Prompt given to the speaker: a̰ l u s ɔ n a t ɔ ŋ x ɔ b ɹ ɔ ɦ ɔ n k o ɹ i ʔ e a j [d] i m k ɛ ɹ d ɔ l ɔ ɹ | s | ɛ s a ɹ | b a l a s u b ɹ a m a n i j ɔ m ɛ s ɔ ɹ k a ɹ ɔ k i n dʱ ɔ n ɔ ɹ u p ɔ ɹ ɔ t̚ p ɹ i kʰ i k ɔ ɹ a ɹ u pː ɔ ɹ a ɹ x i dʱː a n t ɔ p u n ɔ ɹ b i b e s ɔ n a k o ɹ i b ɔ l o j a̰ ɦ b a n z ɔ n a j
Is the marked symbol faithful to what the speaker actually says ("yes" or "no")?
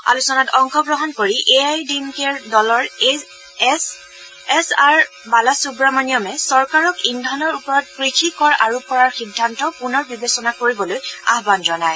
yes